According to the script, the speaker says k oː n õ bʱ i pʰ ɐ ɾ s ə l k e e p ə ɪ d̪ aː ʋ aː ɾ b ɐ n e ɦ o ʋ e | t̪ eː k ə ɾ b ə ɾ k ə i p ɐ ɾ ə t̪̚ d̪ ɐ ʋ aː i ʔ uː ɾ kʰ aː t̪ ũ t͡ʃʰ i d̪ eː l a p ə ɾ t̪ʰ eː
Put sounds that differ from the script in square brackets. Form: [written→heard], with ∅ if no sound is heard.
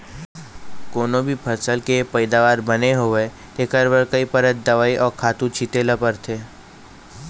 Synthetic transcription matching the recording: k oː n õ bʱ i pʰ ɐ ɾ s ə l k e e p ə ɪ d̪ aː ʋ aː ɾ b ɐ n e ɦ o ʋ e | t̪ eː k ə ɾ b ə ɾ k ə i p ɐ ɾ ə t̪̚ d̪ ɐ ʋ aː i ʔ [uː→ɔː] ɾ kʰ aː t̪ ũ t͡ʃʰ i [d̪→t̪] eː l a p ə ɾ t̪ʰ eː

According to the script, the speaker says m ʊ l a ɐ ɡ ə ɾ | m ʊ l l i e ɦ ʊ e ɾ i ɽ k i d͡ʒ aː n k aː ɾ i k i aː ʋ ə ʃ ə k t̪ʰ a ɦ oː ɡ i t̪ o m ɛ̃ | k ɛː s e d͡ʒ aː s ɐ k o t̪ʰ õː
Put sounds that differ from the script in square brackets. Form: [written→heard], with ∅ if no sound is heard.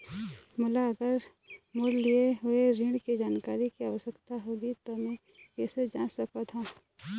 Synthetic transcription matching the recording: m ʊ l a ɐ ɡ ə ɾ | m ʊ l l i e ɦ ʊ e ɾ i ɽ k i d͡ʒ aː n k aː ɾ i k i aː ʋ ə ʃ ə k [t̪ʰ→t̪] a ɦ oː ɡ i t̪ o m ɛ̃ | k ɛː s e d͡ʒ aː s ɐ k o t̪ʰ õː

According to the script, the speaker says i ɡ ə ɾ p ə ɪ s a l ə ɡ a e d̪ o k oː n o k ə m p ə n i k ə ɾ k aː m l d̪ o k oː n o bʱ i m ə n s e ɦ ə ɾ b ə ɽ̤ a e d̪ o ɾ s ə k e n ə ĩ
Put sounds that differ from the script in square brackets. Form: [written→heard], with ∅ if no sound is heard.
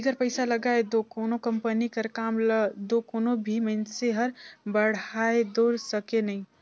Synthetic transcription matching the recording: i ɡ ə ɾ p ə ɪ s a l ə ɡ a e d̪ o k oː n o k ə m p ə n i k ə ɾ k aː m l d̪ o k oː n o bʱ i m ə n s e ɦ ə ɾ b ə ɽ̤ a e d̪ o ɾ s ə k e n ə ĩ

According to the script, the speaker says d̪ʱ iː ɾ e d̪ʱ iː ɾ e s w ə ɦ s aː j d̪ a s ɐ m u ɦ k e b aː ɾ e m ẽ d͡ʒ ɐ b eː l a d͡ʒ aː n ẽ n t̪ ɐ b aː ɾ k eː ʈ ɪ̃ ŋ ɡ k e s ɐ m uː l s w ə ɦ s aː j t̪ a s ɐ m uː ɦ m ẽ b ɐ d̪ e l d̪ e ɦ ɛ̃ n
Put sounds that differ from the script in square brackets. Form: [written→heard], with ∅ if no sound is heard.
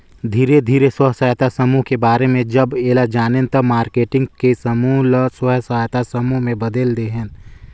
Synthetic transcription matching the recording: d̪ʱ iː ɾ e d̪ʱ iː ɾ e s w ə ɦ s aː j [d̪→t̪] a s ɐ m u ɦ k e b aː ɾ e m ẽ d͡ʒ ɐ b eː l a d͡ʒ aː n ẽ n t̪ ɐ [b→m] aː ɾ k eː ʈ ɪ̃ ŋ ɡ k e s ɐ m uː l s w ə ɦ s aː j t̪ a s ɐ m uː ɦ m ẽ b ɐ d̪ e l d̪ e ɦ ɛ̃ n

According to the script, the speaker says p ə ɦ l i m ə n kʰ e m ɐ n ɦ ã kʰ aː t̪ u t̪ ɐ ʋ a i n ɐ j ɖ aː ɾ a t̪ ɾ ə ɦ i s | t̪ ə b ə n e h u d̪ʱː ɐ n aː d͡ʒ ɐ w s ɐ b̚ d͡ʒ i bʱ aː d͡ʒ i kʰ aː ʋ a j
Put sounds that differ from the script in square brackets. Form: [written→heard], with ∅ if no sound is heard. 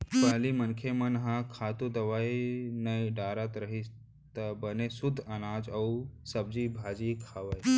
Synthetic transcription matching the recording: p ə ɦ l i m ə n kʰ e m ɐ n ɦ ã kʰ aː t̪ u [t̪→d̪] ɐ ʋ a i n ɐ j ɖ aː ɾ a t̪ ɾ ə ɦ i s | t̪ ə b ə n e [h→s] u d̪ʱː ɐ n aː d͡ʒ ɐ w s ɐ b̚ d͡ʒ i bʱ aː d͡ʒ i kʰ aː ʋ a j

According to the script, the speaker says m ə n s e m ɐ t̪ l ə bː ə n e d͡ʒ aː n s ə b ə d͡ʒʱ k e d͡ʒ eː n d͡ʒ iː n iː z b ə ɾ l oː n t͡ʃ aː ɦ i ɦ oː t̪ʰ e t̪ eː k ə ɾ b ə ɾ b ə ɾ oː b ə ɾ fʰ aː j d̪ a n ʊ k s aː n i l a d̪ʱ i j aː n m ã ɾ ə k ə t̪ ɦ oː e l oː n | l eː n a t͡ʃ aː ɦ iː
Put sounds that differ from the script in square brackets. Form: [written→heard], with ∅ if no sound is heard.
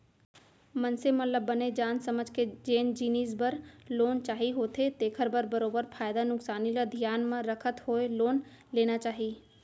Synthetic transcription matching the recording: m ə n s e m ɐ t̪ l ə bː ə n e d͡ʒ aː n s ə [b→m] ə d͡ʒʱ k e d͡ʒ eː n d͡ʒ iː n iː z b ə ɾ l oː n t͡ʃ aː ɦ i ɦ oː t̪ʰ e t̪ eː [k→kʰ] ə ɾ b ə ɾ b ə ɾ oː b ə ɾ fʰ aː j d̪ a n ʊ k s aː n i l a d̪ʱ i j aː n m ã ɾ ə [k→kʰ] ə t̪ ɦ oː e l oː n | l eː n a t͡ʃ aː ɦ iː

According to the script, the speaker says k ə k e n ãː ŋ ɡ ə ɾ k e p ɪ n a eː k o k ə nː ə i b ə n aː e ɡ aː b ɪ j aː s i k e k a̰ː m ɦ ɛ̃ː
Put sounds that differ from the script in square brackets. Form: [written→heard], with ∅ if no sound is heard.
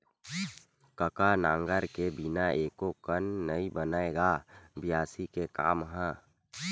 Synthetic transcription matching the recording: k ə k [e→a] n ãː ŋ ɡ ə ɾ k e [p→b] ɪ n a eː k o k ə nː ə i b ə n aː e ɡ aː b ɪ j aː s i k e k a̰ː m ɦ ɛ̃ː

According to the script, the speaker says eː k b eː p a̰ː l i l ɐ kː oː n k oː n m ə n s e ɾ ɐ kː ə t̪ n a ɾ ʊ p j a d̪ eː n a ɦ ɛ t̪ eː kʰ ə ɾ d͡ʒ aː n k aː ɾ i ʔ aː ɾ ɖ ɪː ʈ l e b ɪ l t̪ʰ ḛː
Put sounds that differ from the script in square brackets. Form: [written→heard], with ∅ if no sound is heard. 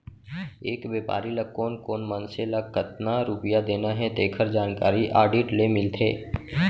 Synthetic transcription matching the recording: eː k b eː p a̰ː [l→ɾ] i l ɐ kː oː n k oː n m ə n s e [ɾ→l] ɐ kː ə t̪ n a ɾ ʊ p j a d̪ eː n a ɦ ɛ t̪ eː kʰ ə ɾ d͡ʒ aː n k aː ɾ i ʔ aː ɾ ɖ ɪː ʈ l e [b→m] ɪ l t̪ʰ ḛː

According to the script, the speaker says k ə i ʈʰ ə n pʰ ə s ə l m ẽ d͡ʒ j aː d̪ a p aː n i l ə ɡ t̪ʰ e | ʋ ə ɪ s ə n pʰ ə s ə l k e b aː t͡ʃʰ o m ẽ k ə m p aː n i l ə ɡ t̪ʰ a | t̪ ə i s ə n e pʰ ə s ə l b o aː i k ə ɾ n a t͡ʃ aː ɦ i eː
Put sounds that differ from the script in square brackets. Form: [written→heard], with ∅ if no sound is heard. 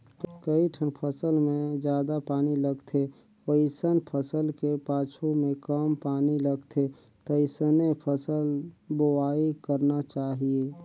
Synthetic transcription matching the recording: k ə i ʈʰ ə n pʰ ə s ə l m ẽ d͡ʒ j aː d̪ a p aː n i l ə ɡ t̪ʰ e | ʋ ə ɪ s ə n pʰ ə s ə l k e [b→p] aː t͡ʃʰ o m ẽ k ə m p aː n i l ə ɡ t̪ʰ [a→e] | t̪ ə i s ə n e pʰ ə s ə l b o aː i k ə ɾ n a t͡ʃ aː ɦ i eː

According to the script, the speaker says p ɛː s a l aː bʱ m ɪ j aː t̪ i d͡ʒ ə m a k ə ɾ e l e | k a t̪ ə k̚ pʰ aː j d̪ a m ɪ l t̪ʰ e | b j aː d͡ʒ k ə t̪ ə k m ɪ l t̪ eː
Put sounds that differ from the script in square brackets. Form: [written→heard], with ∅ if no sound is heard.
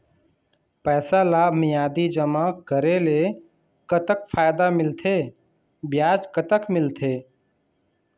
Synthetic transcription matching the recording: p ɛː s a l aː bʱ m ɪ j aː [t̪→d̪] i d͡ʒ ə m a k ə ɾ e l e | k [a→ə] t̪ ə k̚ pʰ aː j d̪ a m ɪ l t̪ʰ e | b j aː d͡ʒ k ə t̪ ə k m ɪ l [t̪→t̪ʰ] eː

